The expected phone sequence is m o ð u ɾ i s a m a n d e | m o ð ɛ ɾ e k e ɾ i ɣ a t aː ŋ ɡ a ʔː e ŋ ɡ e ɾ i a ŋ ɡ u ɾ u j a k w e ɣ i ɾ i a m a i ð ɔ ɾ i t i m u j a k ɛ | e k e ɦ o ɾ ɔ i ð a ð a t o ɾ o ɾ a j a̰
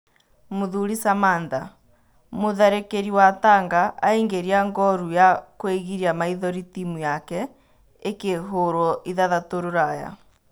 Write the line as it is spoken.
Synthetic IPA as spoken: m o ð u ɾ i s a m a n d a | m o ð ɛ ɾ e k e ɾ i w a t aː ŋ ɡ a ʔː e ŋ ɡ e ɾ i a ŋ ɡ ɔ ɾ u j a k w e ɣ i ɾ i a m a i ð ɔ ɾ i t i m u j a k ɛ | e k e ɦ o ɾ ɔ i ð a ð a t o ɾ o ɾ a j a̰